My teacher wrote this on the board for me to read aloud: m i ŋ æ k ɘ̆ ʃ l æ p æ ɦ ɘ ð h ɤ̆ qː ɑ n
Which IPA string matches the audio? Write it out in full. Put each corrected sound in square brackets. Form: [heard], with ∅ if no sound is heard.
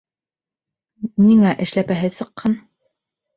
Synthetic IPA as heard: [n] i ŋ æ [ʔ] ɘ̆ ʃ l æ p æ ɦ ɘ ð [s] ɤ̆ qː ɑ n